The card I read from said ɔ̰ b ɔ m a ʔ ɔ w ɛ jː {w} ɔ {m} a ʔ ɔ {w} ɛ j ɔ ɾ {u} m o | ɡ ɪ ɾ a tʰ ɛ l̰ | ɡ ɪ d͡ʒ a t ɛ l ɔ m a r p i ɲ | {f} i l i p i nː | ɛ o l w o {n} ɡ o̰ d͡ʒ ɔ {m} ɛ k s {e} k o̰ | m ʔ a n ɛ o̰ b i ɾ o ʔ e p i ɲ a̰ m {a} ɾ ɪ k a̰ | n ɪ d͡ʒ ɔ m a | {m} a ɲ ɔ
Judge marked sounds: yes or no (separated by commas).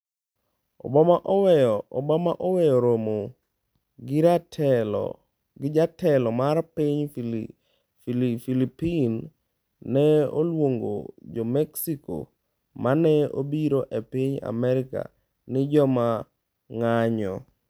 no, yes, yes, no, yes, no, yes, no, no, no